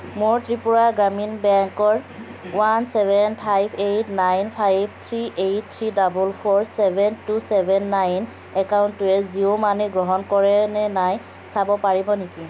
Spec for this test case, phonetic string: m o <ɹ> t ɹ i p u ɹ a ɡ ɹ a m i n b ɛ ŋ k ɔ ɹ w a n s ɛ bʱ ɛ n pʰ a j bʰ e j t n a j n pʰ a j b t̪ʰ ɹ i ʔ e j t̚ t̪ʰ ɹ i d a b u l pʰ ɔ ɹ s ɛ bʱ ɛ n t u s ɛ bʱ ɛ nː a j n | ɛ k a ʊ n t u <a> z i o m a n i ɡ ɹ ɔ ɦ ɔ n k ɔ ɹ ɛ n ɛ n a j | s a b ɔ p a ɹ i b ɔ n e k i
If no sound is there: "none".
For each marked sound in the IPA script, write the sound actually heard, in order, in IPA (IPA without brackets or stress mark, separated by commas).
ɹ, ɛ